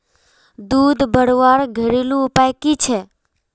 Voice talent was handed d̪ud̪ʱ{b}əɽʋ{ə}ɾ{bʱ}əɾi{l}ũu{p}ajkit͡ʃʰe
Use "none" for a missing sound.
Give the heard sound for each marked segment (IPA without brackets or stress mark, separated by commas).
b, a, ɡʱ, l, p